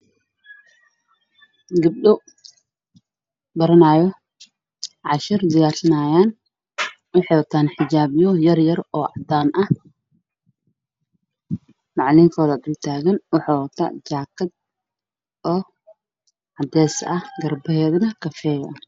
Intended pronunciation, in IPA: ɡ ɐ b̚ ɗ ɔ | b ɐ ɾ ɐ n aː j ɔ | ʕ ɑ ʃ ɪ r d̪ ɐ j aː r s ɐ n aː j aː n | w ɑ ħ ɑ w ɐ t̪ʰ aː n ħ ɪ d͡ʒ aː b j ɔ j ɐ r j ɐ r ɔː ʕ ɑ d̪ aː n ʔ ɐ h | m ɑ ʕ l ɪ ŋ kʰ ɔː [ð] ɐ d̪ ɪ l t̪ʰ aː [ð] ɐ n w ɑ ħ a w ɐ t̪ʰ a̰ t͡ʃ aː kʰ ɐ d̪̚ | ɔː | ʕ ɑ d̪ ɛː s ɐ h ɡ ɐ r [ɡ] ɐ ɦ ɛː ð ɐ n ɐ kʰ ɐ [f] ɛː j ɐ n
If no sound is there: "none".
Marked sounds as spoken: ð, ɣ, b, f

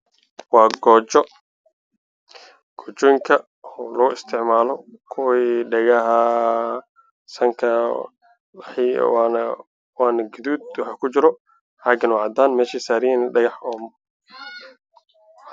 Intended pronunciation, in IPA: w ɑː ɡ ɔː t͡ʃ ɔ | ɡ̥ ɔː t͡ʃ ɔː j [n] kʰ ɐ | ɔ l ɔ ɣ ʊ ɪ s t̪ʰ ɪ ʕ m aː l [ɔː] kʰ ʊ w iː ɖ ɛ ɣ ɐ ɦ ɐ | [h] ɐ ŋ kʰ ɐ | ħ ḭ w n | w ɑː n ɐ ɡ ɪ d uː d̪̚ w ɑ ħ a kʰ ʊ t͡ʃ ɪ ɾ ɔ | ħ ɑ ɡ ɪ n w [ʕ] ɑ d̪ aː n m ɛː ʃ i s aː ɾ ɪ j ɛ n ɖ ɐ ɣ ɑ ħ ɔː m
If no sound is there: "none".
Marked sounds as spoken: ŋ, ɔ, s, ʕ

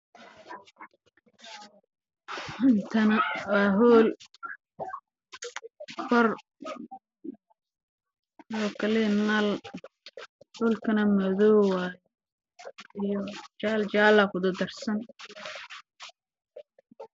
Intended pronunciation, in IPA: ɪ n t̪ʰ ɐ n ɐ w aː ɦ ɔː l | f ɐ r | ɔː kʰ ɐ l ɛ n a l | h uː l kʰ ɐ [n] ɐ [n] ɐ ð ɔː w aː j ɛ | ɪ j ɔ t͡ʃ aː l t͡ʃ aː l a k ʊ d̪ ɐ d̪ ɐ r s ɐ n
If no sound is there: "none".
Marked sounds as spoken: n, m

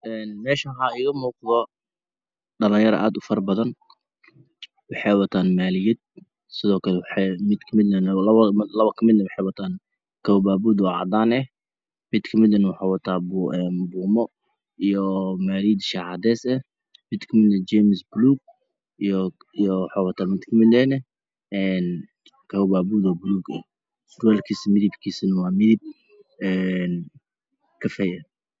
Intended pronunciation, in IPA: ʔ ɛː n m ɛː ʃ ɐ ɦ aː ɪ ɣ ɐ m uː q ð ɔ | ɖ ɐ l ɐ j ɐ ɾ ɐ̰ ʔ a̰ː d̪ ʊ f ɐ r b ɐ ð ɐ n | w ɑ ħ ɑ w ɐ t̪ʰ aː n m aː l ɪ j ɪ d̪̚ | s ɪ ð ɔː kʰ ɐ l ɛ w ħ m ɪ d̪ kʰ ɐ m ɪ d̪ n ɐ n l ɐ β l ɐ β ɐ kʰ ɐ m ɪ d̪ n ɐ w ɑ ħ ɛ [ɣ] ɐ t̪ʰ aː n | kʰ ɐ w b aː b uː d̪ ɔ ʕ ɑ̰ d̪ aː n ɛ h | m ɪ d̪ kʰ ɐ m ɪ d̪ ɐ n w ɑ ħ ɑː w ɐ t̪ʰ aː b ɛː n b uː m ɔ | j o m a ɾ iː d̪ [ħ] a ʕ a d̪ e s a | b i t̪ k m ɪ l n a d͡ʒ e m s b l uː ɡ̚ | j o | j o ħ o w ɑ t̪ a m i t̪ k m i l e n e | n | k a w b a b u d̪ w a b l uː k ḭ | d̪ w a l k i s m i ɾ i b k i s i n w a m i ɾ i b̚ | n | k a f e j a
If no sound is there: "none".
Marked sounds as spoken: w, ʃ

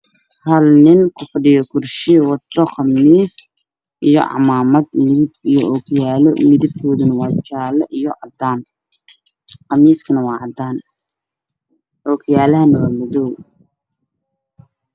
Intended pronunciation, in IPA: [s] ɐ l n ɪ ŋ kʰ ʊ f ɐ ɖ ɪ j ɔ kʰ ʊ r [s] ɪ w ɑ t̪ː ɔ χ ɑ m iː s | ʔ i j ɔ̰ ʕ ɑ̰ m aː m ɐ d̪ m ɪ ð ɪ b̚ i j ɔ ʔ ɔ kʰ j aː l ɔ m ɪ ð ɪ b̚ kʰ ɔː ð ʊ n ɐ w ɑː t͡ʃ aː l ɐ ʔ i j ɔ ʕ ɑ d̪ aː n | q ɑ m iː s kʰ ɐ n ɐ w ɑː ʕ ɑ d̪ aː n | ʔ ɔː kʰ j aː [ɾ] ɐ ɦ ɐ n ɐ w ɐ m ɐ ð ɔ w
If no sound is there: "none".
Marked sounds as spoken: h, ʃ, l

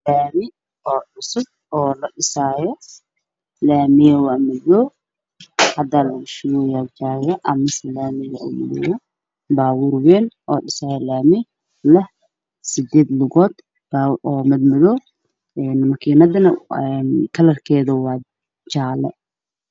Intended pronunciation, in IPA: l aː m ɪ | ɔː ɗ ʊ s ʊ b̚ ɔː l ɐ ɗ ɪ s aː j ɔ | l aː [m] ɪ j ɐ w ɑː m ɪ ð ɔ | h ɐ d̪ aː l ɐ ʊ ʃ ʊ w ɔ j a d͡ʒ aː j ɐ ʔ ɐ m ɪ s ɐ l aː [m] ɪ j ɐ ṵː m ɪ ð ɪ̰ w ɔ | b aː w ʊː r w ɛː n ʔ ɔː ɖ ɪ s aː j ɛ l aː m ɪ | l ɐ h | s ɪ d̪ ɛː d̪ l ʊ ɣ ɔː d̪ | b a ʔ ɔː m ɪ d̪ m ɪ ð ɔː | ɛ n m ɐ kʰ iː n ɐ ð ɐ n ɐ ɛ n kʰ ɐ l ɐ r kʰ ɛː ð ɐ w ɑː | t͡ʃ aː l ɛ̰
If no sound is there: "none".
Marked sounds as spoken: m, m

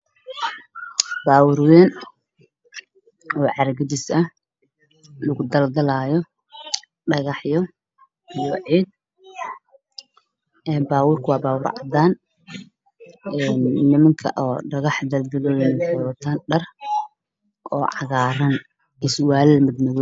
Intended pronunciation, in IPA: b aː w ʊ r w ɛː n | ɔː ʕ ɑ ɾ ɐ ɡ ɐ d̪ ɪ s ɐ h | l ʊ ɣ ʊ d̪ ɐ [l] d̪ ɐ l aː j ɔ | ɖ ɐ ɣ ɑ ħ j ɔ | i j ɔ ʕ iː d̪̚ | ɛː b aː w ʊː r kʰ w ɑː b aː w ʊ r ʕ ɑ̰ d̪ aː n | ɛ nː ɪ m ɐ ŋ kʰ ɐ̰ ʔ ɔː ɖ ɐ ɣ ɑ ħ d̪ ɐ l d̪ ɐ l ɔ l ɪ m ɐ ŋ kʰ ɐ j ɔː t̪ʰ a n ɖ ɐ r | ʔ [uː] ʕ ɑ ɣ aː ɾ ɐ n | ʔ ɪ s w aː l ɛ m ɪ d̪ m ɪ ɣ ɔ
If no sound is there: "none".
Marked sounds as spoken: l, ɔː

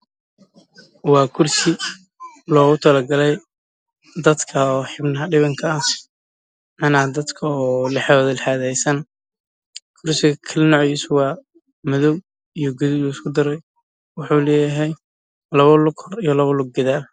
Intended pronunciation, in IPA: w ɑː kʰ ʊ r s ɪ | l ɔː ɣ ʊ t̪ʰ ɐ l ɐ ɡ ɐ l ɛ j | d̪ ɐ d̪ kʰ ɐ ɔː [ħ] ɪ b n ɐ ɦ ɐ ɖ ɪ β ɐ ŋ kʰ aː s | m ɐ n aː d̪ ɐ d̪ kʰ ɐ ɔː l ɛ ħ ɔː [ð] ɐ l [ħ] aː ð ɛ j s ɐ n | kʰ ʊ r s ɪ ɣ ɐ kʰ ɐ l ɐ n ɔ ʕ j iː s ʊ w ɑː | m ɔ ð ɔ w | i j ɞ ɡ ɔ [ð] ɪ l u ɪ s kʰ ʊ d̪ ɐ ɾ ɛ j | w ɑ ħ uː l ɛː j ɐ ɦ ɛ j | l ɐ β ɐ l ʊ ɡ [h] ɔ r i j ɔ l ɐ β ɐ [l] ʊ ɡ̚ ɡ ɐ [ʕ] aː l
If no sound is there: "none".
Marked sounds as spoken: ħ, ð, ħ, ð, h, l, ð

